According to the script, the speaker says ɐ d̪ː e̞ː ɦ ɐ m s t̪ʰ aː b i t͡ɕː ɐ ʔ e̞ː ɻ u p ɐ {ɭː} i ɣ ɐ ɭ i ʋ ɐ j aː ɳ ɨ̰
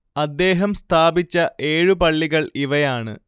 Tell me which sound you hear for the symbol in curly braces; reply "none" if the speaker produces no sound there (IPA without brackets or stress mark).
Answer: ɭː